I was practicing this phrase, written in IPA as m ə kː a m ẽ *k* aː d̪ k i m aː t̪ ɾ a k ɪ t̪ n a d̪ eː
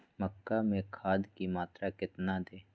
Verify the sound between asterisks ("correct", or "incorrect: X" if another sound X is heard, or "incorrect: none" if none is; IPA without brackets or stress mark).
incorrect: kʰ